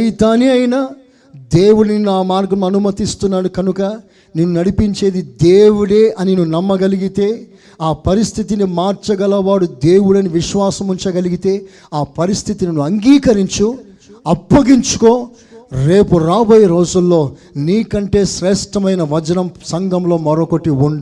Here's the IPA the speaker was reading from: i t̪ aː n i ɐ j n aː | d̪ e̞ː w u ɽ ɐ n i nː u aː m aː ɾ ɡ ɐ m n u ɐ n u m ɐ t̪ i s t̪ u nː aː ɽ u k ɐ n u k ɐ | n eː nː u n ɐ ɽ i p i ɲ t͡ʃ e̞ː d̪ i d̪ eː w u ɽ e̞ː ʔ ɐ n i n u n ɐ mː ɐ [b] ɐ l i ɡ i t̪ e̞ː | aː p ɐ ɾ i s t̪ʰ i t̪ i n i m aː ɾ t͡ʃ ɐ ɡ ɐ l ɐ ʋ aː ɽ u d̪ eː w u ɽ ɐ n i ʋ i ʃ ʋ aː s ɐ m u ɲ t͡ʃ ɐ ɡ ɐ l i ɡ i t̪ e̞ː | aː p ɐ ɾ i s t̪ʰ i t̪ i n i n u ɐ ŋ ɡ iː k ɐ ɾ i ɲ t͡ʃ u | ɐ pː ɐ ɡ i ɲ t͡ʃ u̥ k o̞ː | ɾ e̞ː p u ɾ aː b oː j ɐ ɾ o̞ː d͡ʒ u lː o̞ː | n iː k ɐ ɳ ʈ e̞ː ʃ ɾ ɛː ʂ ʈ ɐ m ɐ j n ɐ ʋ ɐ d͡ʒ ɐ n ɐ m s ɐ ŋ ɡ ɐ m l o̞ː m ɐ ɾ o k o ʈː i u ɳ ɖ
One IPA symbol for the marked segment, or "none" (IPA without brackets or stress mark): ɡ